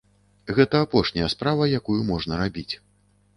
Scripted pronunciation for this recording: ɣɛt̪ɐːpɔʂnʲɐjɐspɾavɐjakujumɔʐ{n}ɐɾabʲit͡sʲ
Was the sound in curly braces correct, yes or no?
yes